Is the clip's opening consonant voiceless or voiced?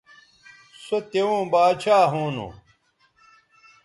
voiceless